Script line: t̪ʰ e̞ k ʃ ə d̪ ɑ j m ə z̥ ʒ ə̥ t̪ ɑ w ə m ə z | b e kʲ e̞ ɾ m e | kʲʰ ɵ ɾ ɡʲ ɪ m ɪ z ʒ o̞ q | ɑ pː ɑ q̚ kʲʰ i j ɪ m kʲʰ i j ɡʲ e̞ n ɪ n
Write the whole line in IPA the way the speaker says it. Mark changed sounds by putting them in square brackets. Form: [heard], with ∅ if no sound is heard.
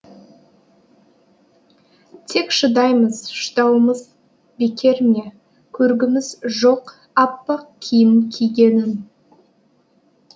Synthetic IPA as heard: t̪ʰ e̞ k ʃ ə d̪ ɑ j m ə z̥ [ʃ] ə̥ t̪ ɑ w ə m ə z | b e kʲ e̞ ɾ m e | kʲʰ ɵ ɾ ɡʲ ɪ m ɪ z ʒ o̞ q | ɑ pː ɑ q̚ kʲʰ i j ɪ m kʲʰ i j ɡʲ e̞ n ɪ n